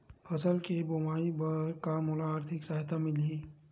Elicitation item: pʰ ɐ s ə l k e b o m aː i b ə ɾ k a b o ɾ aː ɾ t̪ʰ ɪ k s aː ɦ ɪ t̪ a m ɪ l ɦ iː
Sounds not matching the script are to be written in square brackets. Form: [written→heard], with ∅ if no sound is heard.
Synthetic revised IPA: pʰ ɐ s ə l k e b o m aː i b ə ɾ k a [b→m] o [ɾ→l] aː ɾ t̪ʰ ɪ k s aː ɦ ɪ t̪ a m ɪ l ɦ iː